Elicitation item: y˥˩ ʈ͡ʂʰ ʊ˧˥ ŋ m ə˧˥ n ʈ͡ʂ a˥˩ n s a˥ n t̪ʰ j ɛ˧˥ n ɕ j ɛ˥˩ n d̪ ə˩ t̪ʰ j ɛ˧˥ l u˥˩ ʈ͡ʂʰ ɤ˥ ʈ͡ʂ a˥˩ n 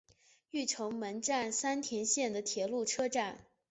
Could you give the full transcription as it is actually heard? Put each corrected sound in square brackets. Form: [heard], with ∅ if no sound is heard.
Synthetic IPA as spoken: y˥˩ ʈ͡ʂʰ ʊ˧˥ ŋ m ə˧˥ n ʈ͡ʂ a˥˩ n s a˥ n t̪ʰ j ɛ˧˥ n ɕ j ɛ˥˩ n d̪ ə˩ t̪ʰ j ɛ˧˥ l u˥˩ ʈ͡ʂʰ ɤ˥ ʈ͡ʂ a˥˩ n